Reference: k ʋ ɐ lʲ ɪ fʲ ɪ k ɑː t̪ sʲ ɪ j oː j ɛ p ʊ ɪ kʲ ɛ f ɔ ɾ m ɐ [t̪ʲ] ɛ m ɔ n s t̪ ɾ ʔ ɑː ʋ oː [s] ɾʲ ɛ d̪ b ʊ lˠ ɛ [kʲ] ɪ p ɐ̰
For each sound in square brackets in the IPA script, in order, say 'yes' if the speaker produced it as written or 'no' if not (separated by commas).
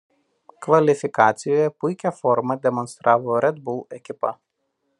no, no, yes